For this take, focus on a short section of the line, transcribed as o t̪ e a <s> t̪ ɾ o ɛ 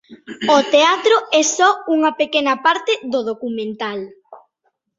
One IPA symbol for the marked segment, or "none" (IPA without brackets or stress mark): none